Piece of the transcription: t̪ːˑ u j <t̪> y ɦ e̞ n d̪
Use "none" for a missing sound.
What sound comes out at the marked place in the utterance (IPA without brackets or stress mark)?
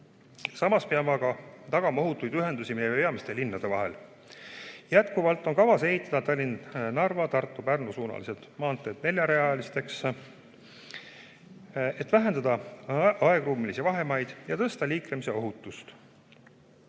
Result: d̪